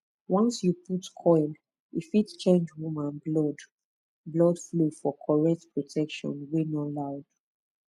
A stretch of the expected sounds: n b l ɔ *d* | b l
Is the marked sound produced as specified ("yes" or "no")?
yes